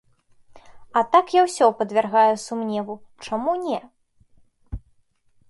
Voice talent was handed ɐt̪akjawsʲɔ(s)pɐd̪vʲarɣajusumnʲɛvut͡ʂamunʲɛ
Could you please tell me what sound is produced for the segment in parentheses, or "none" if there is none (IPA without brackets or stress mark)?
none